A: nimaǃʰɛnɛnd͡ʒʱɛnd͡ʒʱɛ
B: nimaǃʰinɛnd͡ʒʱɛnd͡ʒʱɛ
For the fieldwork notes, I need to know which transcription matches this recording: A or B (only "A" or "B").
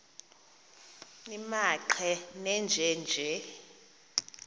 A